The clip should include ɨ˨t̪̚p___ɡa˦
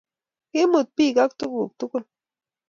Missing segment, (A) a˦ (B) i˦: B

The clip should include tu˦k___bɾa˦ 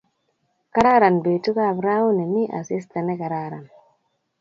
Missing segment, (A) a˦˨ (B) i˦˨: A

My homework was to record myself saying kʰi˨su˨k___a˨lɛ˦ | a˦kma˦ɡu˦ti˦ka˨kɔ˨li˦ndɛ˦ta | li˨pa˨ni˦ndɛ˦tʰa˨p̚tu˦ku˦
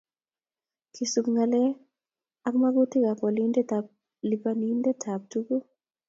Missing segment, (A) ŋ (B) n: A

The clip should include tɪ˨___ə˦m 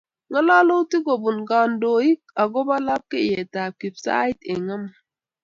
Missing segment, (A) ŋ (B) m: A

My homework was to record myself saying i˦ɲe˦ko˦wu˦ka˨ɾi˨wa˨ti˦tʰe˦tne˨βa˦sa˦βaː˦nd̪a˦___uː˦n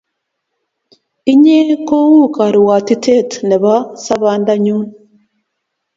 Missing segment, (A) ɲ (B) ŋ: A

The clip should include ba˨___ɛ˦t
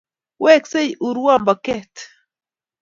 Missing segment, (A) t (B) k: B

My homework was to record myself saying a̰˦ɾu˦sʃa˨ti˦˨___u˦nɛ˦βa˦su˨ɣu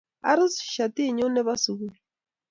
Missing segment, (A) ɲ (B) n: A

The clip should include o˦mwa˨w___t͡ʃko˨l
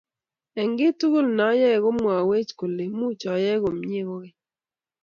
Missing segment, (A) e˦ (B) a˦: A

